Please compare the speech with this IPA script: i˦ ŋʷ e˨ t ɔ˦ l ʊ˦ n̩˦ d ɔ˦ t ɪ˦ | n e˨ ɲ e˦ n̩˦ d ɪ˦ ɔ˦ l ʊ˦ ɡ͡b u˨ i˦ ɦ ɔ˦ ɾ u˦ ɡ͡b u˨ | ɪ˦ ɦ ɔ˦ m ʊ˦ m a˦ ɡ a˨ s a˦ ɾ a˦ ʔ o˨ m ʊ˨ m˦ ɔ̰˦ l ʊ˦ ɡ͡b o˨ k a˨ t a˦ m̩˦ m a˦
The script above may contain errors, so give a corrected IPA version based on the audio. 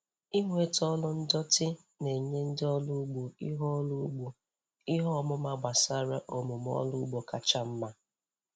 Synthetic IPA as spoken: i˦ ŋʷ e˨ t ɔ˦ l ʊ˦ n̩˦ d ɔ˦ t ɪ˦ | n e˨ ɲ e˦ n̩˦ d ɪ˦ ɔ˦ l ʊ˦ ɡ͡b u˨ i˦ ɦ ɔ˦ l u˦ ɡ͡b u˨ | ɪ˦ ɦ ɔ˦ m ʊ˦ m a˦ ɡ͡b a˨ s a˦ ɾ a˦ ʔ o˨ m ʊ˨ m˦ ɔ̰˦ l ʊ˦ ɡ͡b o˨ k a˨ t͡ʃ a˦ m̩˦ m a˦